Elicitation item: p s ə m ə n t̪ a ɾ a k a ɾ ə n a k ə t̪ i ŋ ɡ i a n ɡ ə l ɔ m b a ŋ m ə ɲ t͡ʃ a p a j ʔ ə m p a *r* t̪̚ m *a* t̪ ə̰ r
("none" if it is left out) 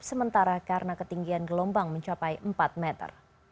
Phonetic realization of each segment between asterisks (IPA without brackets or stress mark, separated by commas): none, ɛ